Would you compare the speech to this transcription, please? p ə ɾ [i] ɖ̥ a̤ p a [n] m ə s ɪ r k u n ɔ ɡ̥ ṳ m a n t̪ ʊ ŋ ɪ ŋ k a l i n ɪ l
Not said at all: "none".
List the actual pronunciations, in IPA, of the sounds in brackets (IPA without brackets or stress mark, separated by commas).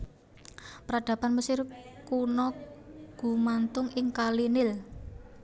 a, n